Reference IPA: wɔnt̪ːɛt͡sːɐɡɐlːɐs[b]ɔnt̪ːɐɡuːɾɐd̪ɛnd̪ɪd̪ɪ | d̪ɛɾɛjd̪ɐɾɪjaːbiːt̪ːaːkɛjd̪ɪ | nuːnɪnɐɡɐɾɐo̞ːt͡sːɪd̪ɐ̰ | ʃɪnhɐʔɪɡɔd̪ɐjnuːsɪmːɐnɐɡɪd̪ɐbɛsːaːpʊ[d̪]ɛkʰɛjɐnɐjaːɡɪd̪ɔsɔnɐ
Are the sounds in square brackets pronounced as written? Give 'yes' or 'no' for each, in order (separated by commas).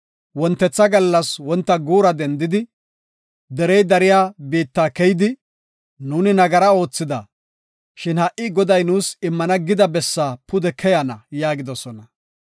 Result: no, yes